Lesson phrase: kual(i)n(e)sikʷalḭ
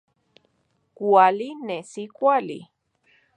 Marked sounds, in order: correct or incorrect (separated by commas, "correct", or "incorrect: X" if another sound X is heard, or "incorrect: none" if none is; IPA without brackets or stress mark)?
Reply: correct, correct